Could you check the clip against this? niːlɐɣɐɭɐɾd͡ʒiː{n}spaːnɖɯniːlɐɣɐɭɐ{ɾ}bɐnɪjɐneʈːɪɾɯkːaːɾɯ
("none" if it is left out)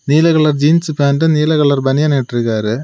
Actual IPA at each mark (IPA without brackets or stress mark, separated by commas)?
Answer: n, ɾ